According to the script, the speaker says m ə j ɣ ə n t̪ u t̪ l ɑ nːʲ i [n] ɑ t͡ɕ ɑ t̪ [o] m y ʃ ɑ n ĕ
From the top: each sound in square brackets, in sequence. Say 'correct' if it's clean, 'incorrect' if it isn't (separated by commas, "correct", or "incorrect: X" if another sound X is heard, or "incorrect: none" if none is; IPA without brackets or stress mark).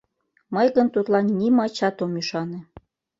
incorrect: m, correct